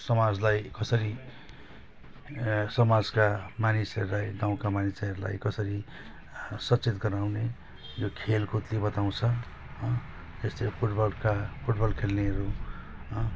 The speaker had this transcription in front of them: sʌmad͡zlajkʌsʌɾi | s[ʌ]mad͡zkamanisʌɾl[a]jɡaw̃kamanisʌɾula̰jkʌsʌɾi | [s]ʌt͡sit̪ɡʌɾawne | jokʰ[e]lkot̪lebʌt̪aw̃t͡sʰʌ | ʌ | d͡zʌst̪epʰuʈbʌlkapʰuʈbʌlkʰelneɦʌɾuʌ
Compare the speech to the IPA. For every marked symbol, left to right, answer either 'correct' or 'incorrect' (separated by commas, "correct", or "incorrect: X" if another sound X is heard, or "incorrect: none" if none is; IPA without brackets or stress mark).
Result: correct, correct, correct, correct